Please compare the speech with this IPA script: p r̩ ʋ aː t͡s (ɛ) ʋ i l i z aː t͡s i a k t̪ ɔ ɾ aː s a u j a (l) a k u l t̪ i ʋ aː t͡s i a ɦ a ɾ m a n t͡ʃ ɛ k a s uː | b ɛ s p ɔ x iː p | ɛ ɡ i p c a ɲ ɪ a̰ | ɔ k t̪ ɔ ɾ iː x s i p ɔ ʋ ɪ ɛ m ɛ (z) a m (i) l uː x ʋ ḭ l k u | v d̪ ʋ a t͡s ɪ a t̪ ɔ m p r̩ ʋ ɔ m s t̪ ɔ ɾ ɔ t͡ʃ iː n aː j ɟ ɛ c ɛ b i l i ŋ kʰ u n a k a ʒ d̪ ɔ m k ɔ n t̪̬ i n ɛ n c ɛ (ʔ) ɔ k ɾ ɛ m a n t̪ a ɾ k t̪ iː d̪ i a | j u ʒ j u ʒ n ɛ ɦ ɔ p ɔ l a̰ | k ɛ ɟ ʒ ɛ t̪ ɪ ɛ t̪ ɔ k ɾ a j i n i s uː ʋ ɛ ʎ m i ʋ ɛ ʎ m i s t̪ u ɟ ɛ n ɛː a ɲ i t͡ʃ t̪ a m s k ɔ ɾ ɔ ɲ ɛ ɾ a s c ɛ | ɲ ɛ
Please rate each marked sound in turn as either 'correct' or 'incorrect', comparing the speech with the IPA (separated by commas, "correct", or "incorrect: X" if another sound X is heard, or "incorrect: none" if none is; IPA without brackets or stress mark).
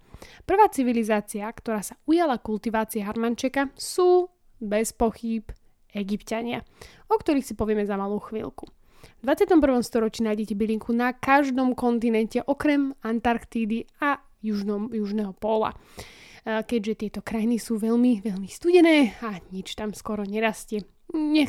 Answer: incorrect: i, correct, correct, incorrect: a, correct